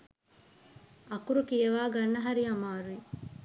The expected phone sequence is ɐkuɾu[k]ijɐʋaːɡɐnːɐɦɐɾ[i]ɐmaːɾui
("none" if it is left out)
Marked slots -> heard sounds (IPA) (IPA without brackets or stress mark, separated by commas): k, i